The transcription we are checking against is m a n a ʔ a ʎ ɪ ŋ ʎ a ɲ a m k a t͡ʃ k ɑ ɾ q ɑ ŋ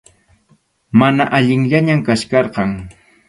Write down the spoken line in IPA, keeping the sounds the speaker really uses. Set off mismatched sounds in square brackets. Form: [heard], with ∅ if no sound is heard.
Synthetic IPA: m a n a ʔ a ʎ ɪ ŋ ʎ a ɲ a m k a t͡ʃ k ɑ ɾ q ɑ ŋ